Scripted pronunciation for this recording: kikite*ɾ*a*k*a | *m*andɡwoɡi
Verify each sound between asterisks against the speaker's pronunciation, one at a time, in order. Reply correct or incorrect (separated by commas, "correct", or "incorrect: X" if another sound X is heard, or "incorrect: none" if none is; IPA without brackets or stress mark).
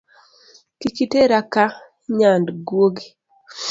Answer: correct, correct, incorrect: ɲ